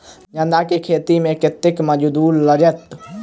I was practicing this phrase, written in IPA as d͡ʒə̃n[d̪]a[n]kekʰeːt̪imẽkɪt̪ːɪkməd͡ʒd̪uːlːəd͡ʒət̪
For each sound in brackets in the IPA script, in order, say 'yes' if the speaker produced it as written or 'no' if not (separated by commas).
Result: yes, no